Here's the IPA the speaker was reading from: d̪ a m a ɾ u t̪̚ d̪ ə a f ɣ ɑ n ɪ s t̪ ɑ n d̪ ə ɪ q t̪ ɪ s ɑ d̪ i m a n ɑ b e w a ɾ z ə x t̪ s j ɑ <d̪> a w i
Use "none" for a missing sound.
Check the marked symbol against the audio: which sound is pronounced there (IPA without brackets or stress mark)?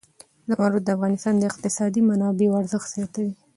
t̪